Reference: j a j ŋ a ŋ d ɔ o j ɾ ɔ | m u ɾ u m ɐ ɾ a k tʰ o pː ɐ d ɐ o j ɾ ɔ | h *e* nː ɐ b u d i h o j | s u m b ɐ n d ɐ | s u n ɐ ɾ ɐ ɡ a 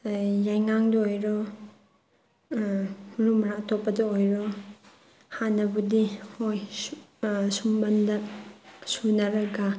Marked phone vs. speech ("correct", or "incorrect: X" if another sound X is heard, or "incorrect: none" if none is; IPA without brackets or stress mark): incorrect: a